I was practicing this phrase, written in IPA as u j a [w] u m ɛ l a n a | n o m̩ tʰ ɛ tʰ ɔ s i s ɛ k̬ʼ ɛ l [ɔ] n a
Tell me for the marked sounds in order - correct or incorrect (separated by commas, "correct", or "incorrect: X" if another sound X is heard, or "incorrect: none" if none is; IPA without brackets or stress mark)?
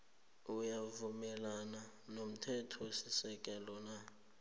incorrect: v, correct